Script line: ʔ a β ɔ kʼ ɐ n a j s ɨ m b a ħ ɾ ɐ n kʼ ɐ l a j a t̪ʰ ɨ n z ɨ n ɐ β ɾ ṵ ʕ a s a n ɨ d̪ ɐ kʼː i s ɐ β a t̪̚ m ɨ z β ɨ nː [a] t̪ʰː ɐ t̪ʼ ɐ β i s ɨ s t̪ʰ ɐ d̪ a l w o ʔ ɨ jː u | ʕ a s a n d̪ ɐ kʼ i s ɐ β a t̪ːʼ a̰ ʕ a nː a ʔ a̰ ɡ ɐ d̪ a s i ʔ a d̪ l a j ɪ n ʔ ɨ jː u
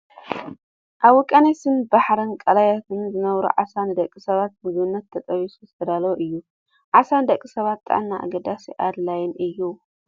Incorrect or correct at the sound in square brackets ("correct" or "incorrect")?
incorrect